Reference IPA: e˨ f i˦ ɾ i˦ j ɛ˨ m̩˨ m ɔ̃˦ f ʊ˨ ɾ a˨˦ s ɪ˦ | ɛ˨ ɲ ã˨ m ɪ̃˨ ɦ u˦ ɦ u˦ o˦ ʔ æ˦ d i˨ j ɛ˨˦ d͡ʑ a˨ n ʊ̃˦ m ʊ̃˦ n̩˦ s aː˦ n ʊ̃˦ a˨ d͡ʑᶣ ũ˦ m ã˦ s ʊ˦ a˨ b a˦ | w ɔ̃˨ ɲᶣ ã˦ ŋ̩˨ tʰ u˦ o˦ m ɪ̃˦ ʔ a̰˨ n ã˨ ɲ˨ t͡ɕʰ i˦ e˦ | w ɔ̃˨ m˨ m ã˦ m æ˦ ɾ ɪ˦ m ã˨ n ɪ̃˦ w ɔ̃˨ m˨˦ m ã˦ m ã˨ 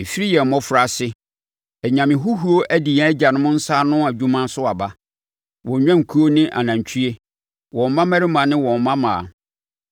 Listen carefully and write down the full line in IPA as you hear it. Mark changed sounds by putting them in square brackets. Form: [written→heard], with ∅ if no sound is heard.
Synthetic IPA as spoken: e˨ f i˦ ɾ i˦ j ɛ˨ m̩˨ m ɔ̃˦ f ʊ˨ ɾ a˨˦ s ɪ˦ | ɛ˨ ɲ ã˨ m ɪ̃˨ ɦ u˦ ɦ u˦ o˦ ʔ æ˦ d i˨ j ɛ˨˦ d͡ʑ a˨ n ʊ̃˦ m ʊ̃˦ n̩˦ s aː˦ n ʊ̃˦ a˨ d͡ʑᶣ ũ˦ m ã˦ s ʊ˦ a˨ b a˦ | w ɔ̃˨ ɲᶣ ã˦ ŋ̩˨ [tʰ→kʰ] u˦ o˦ [m→n] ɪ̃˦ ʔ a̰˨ n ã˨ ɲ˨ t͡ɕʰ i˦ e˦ | w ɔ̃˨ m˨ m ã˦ m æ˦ ɾ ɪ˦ m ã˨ n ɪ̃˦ w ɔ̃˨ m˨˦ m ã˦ m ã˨

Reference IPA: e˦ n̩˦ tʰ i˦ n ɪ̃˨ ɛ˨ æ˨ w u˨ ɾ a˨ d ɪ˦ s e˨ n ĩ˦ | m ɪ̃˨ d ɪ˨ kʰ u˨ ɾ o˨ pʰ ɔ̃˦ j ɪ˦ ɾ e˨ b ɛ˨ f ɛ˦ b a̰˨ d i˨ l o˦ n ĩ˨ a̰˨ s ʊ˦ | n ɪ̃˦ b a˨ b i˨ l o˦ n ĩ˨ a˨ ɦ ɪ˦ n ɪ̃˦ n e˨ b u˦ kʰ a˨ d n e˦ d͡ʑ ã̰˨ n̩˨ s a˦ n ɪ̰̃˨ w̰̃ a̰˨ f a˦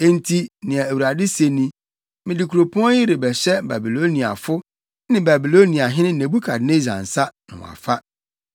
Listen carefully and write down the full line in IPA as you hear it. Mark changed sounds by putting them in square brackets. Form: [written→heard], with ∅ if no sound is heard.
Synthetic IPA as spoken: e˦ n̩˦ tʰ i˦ n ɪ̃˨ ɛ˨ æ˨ w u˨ ɾ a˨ d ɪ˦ s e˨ n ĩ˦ | m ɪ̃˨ d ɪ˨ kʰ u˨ ɾ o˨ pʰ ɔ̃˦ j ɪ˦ ɾ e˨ b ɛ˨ [f→ɕ] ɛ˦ b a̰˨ [d→b] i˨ l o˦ n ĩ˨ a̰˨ [s→f] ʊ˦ | n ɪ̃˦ b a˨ b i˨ l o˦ n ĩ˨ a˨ ɦ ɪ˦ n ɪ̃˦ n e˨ b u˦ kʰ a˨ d n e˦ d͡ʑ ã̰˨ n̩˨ s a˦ n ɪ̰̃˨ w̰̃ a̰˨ f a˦

